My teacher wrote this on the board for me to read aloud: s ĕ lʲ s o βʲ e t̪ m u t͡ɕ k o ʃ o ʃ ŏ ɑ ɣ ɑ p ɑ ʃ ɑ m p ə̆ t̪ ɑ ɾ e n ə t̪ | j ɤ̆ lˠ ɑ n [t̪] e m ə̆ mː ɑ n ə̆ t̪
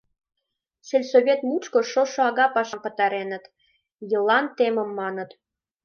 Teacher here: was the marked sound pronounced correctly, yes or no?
yes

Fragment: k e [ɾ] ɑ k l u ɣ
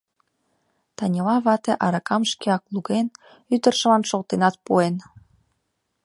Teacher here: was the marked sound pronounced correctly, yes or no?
no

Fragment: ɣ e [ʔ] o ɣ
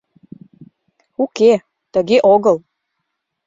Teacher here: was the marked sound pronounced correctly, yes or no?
yes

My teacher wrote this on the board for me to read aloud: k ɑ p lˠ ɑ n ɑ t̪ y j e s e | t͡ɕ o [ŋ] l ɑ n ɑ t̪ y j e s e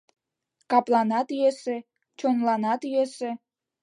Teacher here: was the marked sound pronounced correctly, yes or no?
no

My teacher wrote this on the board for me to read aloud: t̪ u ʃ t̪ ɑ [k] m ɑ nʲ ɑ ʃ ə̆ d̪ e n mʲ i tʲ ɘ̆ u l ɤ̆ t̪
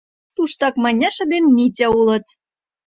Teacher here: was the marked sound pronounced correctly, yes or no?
yes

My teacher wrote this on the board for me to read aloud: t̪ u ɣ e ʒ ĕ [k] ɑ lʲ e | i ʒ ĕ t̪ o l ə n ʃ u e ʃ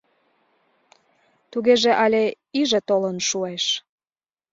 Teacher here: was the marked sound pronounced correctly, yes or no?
no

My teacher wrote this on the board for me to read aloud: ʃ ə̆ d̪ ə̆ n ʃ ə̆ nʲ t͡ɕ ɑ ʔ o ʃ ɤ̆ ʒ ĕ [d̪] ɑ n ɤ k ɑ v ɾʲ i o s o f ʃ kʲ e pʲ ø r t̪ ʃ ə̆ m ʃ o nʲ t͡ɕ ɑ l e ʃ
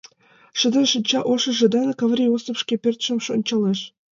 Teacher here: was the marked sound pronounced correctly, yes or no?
yes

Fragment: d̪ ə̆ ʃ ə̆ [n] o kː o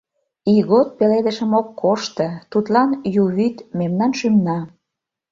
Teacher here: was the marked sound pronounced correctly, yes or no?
no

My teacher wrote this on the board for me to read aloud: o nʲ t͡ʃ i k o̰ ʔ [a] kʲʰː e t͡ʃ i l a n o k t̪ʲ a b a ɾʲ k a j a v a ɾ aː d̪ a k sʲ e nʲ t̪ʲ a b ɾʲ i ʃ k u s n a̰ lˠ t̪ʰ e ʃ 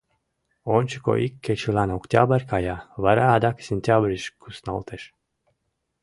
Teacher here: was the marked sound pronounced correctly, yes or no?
no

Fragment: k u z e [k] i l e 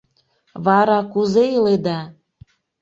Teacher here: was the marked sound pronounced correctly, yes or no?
no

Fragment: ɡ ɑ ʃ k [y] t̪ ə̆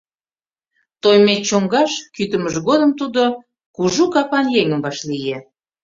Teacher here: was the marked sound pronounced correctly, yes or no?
yes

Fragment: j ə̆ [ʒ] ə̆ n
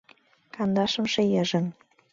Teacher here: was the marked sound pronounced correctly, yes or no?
yes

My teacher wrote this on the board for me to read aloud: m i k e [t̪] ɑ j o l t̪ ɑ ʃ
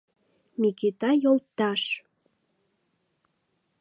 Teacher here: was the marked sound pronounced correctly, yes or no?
yes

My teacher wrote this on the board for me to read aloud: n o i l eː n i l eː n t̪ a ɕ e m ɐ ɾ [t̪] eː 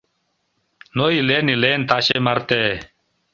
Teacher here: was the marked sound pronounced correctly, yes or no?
yes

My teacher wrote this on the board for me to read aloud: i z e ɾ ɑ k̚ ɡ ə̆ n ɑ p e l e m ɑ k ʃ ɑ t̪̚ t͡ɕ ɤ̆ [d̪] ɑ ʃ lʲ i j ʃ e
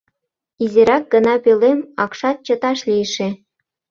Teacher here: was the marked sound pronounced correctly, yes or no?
no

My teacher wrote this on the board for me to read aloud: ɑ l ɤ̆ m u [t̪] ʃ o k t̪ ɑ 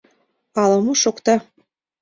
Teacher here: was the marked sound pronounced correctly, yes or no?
no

